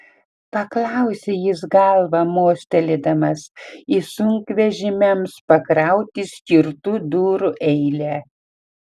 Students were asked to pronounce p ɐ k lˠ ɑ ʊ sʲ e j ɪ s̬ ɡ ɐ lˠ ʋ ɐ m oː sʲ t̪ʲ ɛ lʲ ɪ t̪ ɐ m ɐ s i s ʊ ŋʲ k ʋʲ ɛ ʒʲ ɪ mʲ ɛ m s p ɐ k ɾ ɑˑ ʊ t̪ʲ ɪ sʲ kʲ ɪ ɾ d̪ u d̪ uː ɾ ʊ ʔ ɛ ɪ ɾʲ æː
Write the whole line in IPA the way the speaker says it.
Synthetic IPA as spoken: p ɐ k lˠ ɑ ʊ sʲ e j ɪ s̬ ɡ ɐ lˠ ʋ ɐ m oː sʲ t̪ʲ ɛ lʲ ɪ d̪ ɐ m ɐ s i s ʊ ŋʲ k ʋʲ ɛ ʒʲ ɪ mʲ ɛ m s p ɐ k ɾ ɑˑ ʊ t̪ʲ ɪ sʲ kʲ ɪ ɾ t̪ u d̪ uː ɾ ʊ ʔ ɛ ɪ lʲ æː